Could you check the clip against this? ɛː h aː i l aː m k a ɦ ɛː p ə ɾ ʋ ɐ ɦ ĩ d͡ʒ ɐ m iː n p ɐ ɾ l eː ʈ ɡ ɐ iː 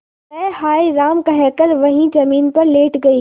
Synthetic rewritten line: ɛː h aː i ɾ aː m k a ɦ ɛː k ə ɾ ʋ ɐ ɦ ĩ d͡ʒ ɐ m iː n p ɐ ɾ l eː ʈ ɡ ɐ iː